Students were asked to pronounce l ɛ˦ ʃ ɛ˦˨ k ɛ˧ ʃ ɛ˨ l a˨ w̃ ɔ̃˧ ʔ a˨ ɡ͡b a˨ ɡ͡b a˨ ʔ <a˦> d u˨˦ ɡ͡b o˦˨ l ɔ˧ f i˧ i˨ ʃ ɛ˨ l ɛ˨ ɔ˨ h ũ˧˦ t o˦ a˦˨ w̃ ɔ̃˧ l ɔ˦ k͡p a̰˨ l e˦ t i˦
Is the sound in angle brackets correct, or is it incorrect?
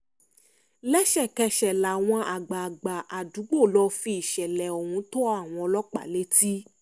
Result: incorrect